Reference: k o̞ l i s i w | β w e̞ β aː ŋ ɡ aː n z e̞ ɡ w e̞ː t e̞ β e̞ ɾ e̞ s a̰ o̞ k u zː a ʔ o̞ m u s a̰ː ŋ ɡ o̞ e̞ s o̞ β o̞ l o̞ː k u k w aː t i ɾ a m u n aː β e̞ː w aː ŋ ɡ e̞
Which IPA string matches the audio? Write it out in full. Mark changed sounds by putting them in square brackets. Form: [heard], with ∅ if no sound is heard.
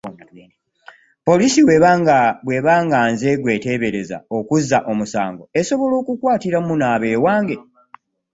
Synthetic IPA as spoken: [p] o̞ l i s i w | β w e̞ β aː ŋ ɡ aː n z e̞ ɡ w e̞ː t e̞ β e̞ ɾ e̞ [z] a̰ o̞ k u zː a ʔ o̞ m u s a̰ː ŋ ɡ o̞ e̞ s o̞ β o̞ l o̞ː k u k w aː t i ɾ a m u n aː β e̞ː w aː ŋ ɡ e̞